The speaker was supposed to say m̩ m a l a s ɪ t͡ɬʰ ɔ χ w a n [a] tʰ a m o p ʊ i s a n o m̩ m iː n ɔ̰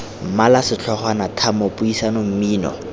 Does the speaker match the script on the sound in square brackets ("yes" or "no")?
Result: yes